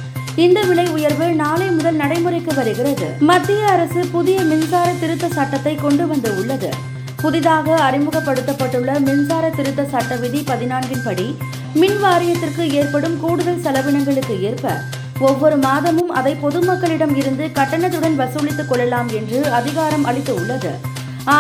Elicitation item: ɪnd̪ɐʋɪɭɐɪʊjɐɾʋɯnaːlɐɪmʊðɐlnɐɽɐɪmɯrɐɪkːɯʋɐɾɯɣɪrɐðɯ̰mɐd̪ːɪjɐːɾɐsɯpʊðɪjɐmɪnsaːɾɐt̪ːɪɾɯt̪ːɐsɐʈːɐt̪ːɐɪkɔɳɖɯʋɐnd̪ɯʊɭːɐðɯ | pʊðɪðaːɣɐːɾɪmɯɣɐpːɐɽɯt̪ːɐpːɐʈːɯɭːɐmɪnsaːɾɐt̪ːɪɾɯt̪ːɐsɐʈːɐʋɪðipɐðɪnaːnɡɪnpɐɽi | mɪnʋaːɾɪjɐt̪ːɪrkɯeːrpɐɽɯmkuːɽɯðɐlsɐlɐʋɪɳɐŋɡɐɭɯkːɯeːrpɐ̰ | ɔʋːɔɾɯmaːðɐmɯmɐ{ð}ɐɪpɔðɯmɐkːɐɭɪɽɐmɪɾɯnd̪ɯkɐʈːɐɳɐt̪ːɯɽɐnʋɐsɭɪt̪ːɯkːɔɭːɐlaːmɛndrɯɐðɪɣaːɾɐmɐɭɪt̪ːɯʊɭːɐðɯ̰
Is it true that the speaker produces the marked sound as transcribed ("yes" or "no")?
yes